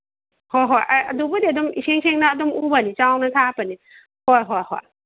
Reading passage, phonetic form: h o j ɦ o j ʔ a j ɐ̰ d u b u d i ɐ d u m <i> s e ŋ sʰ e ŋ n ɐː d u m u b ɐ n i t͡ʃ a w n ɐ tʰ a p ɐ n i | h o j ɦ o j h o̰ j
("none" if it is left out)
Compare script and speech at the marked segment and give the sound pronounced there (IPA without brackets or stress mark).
i